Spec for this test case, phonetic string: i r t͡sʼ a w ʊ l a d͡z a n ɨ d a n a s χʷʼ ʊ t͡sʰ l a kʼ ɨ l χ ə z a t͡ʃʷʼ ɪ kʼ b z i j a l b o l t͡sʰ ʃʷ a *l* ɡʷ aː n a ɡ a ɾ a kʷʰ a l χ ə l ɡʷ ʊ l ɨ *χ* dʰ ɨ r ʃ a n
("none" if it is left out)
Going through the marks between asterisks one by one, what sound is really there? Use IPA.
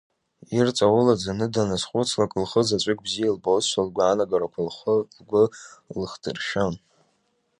l, χ

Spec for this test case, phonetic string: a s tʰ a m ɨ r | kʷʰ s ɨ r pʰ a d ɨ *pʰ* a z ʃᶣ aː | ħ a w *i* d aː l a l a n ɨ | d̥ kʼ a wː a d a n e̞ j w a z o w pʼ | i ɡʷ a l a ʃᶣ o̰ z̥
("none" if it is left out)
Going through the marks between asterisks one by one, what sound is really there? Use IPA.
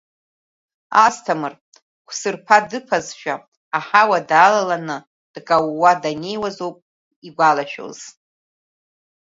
pʰ, a

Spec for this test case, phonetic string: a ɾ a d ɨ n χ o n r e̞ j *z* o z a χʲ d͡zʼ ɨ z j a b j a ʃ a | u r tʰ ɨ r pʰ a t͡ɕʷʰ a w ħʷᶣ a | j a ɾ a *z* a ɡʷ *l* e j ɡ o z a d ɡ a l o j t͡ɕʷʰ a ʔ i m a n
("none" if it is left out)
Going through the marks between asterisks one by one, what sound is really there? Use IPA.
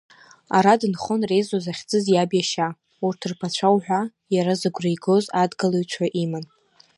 z, z, r

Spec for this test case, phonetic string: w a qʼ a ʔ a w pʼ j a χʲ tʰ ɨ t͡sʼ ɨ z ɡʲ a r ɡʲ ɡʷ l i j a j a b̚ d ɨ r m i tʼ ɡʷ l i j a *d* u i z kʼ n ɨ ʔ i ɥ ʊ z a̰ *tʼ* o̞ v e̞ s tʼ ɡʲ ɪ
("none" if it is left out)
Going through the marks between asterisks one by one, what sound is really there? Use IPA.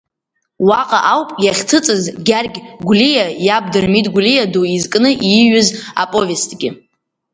d, pʼ

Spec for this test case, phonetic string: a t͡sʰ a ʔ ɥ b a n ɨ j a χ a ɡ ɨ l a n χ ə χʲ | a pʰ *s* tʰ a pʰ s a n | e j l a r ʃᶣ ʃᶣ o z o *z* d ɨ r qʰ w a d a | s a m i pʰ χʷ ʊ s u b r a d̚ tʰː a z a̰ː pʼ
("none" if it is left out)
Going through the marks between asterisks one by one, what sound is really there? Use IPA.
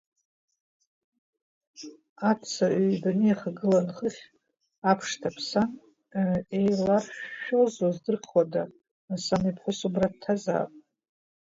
ʂ, z

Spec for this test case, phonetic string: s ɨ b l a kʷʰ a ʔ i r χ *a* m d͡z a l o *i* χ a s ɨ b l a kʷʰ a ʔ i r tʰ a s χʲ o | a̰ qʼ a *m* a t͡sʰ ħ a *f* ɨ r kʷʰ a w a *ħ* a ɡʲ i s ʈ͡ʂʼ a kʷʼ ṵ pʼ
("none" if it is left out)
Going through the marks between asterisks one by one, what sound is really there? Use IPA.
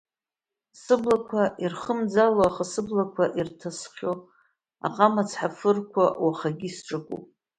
ə, a, m, f, χ

